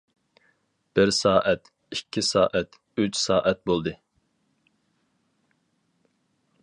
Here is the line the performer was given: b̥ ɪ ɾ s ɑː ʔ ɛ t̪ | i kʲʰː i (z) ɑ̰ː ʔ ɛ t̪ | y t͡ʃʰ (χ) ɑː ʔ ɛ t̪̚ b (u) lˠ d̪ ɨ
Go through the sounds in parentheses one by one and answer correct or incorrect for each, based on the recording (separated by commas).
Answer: incorrect, incorrect, incorrect